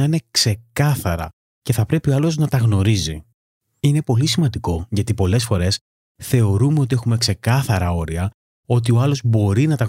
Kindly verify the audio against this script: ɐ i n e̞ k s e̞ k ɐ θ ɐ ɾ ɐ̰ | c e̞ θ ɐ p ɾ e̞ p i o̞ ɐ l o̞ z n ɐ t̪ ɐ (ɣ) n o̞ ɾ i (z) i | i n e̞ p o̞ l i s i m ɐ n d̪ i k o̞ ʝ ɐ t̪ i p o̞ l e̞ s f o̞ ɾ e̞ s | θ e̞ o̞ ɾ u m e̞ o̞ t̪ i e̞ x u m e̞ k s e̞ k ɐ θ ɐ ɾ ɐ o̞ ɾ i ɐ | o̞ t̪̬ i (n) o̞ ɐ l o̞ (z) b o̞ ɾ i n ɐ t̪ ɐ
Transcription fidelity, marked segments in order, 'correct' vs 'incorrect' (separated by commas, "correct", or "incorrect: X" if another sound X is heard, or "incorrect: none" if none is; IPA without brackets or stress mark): correct, correct, incorrect: none, correct